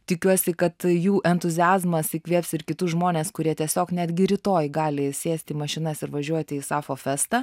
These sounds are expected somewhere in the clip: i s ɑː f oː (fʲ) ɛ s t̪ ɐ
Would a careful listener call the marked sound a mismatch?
no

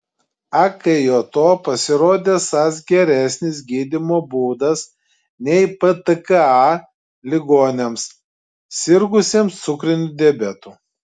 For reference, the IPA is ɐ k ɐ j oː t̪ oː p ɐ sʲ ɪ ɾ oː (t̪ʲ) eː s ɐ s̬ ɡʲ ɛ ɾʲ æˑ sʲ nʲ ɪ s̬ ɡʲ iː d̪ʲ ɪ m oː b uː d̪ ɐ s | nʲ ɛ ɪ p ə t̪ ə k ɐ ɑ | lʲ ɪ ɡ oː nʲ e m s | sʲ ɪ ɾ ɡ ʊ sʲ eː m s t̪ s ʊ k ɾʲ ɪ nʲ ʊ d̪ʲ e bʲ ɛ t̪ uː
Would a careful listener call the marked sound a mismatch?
yes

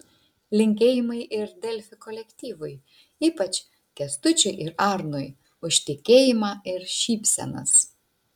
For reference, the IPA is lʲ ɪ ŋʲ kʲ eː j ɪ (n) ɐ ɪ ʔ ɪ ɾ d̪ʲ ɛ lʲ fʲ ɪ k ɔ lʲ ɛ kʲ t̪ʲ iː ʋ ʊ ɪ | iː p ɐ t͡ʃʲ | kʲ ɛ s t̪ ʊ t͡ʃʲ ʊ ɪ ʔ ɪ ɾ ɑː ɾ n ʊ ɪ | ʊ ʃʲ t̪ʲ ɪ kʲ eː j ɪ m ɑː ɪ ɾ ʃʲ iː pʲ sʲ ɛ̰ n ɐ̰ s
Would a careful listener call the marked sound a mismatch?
yes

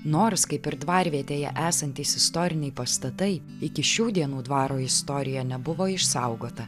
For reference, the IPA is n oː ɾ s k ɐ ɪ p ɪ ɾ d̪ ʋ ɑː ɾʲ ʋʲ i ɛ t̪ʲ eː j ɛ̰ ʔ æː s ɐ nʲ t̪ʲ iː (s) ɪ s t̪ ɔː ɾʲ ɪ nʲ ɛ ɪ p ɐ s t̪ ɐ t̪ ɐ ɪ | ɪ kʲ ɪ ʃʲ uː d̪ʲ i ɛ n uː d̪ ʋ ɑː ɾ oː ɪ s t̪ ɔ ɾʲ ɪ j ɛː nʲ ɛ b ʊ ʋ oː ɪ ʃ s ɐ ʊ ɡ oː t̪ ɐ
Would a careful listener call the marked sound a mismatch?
no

